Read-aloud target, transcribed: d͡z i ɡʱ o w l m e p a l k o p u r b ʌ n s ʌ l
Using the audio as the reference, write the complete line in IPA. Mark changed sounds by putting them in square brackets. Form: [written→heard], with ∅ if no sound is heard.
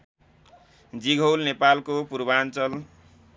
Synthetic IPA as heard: d͡z i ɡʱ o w l [m→n] e p a l k o p u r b [ʌ→a] n [s→t͡s] ʌ l